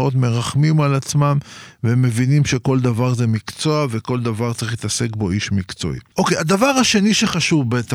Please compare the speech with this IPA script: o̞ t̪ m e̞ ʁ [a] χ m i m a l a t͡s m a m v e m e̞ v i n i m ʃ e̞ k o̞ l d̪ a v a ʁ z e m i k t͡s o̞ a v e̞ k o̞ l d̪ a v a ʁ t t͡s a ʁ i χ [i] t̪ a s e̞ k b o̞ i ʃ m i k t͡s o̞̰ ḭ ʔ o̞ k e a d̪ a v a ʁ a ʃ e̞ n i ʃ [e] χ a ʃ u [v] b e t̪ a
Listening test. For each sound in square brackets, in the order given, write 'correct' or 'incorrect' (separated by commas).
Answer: correct, correct, correct, correct